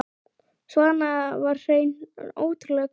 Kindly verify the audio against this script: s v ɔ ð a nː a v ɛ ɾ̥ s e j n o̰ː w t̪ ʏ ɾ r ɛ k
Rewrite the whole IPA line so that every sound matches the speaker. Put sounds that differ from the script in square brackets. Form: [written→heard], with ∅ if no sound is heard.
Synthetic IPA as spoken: s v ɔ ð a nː a v [ɛ→a] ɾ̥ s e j n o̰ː w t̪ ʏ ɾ [r→l] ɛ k